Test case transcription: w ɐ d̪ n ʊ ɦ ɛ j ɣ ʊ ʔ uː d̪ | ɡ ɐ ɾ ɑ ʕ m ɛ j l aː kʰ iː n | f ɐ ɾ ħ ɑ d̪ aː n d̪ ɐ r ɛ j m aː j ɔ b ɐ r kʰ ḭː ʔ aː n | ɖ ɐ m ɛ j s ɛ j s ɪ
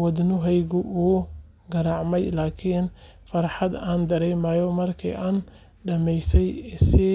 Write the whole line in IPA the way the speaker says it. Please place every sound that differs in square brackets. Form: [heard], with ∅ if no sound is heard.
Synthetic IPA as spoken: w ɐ d̪ n ʊ ɦ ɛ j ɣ ʊ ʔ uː [∅] | ɡ ɐ ɾ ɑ ʕ m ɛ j l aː kʰ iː n | f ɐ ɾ ħ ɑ d̪ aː n d̪ ɐ [ɾ] ɛ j m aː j ɔ [m] ɐ r kʰ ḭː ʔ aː n | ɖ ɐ m ɛ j s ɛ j s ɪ